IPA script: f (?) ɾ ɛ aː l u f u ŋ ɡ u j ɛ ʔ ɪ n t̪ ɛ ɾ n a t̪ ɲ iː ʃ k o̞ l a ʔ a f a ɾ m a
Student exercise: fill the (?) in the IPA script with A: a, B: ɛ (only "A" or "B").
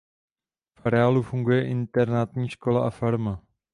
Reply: A